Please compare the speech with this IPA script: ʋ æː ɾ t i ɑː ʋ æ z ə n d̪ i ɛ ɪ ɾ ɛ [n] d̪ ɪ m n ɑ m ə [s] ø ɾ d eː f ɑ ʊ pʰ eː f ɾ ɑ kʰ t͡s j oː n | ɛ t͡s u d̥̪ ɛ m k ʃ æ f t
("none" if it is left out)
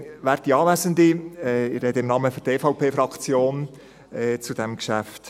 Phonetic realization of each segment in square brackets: none, f

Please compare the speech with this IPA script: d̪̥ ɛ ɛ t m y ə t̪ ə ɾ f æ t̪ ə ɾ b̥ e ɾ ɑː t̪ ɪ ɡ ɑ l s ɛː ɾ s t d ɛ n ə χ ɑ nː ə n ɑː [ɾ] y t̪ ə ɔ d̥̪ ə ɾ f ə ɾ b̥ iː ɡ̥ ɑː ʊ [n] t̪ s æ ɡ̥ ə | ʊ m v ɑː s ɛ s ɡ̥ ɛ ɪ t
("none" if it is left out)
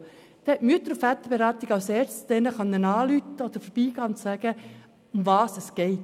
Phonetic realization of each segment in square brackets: l, n

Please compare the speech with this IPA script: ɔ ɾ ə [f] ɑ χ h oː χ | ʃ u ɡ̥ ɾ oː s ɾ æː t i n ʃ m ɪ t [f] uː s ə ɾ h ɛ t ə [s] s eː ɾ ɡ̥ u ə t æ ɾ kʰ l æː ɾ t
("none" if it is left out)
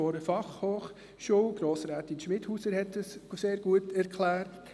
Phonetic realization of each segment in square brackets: f, h, s

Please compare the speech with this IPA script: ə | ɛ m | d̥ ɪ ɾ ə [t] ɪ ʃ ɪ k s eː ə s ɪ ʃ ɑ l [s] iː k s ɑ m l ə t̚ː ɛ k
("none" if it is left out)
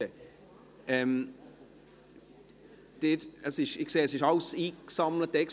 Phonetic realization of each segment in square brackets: s, s

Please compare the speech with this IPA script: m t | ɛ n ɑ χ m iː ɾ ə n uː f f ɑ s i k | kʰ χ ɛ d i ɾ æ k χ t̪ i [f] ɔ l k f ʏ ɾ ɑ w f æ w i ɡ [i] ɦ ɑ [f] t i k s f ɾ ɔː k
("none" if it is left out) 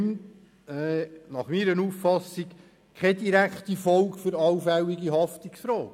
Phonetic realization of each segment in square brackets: f, i, f

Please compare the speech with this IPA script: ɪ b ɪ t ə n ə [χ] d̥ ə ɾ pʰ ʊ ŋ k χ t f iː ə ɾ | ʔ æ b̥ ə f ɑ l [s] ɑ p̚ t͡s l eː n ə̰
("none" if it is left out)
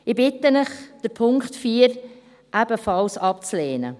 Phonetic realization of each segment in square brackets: χ, s

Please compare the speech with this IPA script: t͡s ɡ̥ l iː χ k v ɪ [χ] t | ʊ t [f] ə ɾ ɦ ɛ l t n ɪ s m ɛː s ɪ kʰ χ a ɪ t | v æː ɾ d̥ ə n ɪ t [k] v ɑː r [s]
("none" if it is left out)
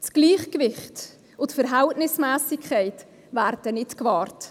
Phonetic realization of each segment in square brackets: χ, f, k, t

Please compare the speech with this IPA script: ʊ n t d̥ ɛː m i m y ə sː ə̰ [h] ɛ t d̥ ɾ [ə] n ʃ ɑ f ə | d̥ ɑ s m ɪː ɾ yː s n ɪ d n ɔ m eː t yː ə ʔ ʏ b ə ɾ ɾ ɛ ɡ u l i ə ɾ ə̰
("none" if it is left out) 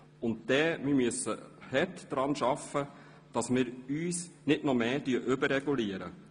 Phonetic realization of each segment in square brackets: h, ɑ

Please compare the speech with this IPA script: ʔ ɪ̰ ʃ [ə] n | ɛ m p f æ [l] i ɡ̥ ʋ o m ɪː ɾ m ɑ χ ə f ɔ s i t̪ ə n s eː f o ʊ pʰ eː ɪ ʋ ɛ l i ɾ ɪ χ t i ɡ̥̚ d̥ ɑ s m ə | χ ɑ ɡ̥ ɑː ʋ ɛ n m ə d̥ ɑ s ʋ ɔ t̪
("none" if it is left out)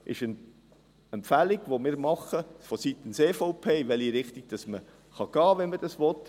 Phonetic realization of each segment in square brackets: ə, l

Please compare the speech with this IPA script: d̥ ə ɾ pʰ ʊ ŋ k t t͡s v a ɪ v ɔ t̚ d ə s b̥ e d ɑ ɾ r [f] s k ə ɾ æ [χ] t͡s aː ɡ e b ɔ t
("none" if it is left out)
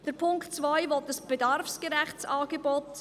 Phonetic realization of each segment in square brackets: f, χ

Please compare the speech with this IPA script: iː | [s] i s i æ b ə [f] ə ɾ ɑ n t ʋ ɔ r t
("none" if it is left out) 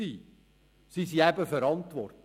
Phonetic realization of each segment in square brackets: s, f

